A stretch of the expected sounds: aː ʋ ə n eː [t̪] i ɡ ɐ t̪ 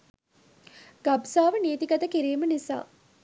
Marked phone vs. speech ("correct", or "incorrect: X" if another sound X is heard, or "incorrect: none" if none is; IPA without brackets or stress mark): correct